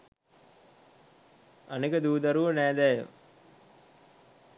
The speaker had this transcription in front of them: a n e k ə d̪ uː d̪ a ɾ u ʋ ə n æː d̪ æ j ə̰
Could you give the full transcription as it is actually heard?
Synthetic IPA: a n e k ə d̪ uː d̪ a ɾ u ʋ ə n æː d̪ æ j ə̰